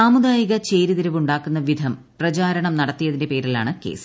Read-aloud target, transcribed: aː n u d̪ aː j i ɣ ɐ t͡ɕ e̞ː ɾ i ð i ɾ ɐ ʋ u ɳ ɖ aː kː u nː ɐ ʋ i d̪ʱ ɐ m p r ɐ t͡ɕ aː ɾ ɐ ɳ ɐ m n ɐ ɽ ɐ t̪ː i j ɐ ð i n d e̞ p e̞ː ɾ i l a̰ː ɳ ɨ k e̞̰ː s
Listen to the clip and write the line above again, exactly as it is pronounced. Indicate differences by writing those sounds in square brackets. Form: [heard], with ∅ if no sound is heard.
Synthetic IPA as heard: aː [m] u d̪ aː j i ɣ ɐ t͡ɕ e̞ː ɾ i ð i ɾ ɐ ʋ u ɳ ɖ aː kː u nː ɐ ʋ i d̪ʱ ɐ m p r ɐ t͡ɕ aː ɾ ɐ ɳ ɐ m n ɐ ɽ ɐ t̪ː i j ɐ ð i n d e̞ p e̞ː ɾ i l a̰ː ɳ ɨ k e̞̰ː s